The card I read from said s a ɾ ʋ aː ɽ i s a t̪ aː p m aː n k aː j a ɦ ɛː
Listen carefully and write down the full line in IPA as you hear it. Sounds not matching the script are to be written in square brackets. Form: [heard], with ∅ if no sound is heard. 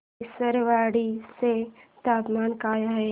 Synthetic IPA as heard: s [ə] ɾ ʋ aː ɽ i s [e] t̪ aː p m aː n k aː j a ɦ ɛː